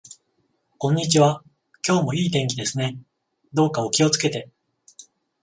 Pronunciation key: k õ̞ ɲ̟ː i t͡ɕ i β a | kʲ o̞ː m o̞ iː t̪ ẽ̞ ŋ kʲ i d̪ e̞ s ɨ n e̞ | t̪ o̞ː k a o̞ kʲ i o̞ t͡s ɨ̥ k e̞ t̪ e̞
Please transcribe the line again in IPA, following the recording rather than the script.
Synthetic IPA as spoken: k õ̞ ɲ̟ː i t͡ɕ i β a | kʲ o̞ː m o̞ iː t̪ ẽ̞ ŋ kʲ i d̪ e̞ s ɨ n e̞ | d̪ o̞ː k a o̞ kʲ i o̞ t͡s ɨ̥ k e̞ t̪ e̞